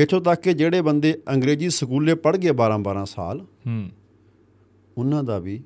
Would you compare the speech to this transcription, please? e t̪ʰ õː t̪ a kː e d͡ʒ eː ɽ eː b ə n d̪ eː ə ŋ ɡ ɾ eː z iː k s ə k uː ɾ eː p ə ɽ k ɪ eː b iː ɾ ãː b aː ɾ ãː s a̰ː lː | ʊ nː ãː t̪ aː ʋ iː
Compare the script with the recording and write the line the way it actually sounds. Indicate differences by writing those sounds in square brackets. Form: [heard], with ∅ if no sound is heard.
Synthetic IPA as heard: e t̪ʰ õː t̪ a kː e d͡ʒ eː ɽ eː b ə n d̪ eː ə ŋ ɡ ɾ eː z iː [∅] s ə k uː [l] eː p ə ɽ [ɡ] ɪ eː b [aː] ɾ ãː b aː ɾ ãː s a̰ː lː | ʊ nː ãː [d̪] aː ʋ iː